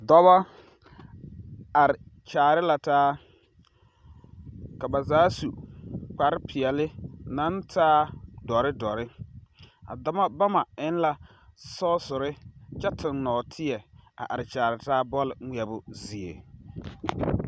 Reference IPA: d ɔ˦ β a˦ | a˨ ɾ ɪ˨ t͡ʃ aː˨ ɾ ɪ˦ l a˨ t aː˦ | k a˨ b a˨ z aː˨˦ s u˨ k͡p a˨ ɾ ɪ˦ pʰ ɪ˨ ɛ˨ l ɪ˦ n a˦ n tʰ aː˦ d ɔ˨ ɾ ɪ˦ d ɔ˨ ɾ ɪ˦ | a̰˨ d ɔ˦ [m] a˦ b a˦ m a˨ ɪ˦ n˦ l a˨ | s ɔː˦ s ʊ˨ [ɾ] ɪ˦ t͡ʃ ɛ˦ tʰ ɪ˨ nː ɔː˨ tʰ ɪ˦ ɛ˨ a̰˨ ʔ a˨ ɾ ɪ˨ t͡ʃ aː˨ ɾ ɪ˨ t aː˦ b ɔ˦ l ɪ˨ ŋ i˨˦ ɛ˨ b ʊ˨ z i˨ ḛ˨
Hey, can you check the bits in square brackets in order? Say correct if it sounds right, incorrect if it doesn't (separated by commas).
correct, correct